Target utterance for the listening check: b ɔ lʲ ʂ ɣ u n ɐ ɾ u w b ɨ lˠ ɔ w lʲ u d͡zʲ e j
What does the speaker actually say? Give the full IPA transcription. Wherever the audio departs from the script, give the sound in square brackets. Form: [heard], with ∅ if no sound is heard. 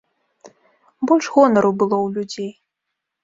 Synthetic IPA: b ɔ lʲ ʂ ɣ [ɔ] n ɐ ɾ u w b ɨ lˠ ɔ w lʲ u d͡zʲ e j